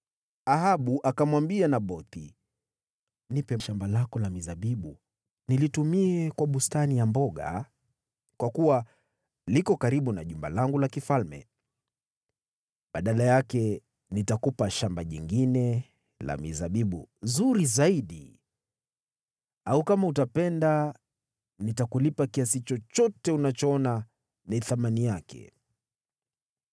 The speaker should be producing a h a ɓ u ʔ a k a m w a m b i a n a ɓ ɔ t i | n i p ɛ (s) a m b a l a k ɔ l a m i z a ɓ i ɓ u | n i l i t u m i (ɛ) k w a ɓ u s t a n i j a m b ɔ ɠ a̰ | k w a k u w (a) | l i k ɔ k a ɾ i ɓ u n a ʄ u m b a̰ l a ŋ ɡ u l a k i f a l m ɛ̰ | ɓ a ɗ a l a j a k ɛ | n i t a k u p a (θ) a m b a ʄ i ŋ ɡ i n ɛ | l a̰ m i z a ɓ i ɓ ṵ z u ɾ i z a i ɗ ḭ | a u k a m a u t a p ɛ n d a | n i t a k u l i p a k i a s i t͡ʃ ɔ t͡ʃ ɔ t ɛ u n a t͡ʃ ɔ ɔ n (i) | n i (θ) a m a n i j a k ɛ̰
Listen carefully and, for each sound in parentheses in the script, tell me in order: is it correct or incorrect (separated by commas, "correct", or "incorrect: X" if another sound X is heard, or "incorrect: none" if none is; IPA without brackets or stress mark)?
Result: incorrect: ʃ, correct, correct, incorrect: ʃ, incorrect: a, correct